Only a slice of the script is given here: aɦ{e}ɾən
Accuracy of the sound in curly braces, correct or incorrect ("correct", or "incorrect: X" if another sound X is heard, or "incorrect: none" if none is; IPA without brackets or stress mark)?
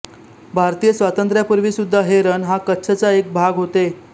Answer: correct